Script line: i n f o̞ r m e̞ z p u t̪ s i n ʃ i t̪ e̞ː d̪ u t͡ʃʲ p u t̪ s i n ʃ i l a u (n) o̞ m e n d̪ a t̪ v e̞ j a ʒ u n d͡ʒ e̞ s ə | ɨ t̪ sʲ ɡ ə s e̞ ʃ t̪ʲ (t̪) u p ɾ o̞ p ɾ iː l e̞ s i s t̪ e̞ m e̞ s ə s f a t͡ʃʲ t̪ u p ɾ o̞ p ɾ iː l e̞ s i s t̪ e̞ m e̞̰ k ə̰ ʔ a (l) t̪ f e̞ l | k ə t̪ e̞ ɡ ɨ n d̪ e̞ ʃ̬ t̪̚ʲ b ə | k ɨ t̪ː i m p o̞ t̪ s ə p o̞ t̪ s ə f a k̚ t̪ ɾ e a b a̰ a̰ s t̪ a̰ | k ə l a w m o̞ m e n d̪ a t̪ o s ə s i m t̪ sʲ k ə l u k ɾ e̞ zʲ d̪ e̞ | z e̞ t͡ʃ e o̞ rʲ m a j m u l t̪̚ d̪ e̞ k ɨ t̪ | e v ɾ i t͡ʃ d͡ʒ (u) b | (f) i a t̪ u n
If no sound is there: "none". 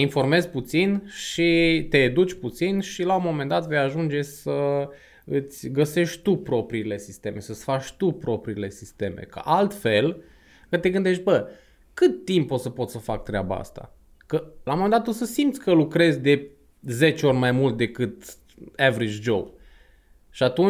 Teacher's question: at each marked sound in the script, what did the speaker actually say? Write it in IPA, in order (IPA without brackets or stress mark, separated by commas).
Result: m, t̪, l, o, ʃ